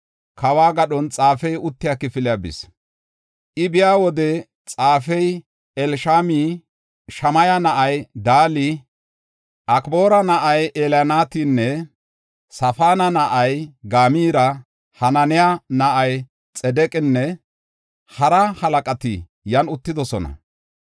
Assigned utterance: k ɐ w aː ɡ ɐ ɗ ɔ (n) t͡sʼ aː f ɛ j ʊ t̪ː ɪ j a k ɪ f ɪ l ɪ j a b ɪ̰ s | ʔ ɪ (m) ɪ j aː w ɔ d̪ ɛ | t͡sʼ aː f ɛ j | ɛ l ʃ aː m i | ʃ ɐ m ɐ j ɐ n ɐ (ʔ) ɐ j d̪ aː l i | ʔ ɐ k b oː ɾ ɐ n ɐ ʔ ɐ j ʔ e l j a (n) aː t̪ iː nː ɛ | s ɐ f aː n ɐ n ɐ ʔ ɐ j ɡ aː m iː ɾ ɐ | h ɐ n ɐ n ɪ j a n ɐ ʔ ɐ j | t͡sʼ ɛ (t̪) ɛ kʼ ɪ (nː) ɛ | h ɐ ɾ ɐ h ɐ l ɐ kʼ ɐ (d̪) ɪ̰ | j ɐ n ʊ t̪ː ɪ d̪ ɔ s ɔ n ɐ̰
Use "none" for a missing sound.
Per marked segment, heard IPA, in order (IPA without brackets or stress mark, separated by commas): n, b, ʔ, n, d̪, nː, t̪